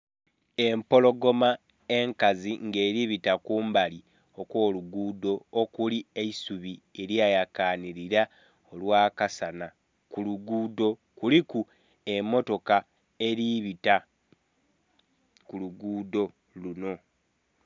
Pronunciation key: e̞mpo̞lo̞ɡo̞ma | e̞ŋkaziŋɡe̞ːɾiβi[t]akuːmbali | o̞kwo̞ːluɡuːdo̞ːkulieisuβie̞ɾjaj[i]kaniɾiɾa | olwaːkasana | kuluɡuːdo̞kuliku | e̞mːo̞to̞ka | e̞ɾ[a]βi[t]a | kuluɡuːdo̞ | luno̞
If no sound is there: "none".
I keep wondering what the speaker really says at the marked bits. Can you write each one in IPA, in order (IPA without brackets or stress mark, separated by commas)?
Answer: t, a, i, t